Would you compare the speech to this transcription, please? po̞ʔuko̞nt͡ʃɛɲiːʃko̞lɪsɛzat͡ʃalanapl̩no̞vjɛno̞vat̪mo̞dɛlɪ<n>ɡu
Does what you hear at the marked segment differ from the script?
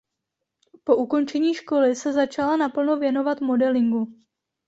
yes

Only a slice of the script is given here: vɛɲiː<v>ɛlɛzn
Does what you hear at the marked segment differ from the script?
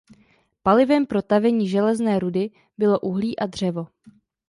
yes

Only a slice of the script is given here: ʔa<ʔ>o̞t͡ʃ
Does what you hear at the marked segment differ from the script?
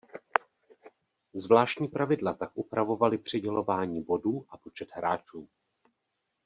yes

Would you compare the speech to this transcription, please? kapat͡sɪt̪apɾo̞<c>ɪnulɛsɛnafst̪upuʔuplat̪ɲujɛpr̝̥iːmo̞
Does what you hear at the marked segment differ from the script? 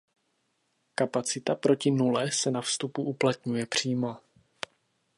no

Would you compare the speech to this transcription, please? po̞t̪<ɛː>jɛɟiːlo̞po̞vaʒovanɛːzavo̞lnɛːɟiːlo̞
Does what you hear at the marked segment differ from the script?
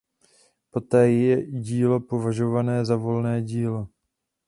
no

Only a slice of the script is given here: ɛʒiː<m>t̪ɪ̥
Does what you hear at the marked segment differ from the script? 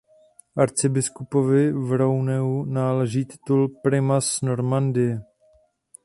yes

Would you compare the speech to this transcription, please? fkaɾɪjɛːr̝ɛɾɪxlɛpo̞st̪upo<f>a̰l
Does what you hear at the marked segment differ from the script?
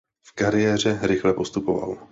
yes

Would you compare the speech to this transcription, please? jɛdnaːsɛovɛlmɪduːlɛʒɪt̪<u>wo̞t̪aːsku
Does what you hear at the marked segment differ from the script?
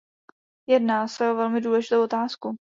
yes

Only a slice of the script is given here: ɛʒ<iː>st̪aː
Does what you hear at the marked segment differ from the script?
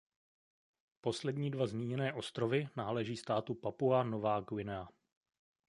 no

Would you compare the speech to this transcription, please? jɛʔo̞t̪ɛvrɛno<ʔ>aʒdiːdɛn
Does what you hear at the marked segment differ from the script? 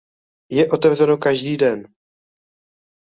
yes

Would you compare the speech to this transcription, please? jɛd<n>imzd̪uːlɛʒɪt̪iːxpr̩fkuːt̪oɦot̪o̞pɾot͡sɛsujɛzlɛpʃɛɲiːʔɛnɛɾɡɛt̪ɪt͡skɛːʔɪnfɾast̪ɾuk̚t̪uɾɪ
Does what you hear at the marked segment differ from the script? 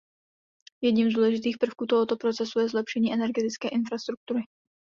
yes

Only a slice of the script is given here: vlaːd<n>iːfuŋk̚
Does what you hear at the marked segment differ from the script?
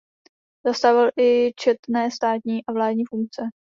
yes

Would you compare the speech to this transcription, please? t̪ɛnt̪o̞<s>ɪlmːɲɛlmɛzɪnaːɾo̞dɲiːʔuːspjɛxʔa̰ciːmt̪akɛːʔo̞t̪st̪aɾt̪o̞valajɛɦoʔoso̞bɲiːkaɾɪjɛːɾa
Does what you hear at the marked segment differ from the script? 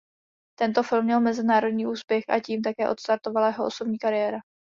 yes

